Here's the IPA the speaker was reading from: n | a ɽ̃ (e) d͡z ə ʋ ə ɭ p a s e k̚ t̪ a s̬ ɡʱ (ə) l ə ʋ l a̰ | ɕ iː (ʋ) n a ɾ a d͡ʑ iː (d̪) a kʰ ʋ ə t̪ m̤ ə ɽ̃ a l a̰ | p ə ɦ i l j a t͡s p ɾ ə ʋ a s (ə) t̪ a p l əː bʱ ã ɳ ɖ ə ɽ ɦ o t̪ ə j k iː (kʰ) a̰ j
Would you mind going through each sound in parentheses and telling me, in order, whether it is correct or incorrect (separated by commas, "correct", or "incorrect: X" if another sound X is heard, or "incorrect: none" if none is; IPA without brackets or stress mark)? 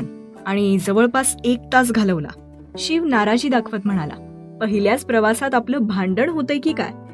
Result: incorrect: i, incorrect: a, correct, correct, incorrect: a, incorrect: k